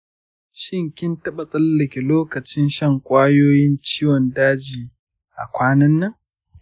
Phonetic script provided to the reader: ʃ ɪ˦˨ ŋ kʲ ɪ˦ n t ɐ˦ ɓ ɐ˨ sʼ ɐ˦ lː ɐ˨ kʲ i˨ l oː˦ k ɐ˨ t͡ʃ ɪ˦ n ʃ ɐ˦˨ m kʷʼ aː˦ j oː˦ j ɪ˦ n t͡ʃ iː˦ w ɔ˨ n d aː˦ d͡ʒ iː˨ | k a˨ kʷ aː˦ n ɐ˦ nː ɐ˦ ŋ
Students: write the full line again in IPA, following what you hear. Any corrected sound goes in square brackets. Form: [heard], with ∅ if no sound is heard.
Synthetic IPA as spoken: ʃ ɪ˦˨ ŋ kʲ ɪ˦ n t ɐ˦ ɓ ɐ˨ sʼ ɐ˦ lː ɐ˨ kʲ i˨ l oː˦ k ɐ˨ t͡ʃ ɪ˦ n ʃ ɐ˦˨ [ŋ] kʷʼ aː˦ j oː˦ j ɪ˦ n t͡ʃ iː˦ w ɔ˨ n d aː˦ d͡ʒ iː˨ | [ʔ] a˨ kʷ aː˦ n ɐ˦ nː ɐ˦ ŋ